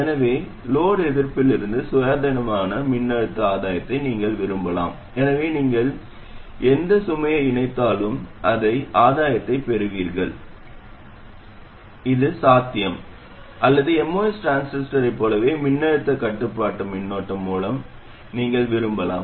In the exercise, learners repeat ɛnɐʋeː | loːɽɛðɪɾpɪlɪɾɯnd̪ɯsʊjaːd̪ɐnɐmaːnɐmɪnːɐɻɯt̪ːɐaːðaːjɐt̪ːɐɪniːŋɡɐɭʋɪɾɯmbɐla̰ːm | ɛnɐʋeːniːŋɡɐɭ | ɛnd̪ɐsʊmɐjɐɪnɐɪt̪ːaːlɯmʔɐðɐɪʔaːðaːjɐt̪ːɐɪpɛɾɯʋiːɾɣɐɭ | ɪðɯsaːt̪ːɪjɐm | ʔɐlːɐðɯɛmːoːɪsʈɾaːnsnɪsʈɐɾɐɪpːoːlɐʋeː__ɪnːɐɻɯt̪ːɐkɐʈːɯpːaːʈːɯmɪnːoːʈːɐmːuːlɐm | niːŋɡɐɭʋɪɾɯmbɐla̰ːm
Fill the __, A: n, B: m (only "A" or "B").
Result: B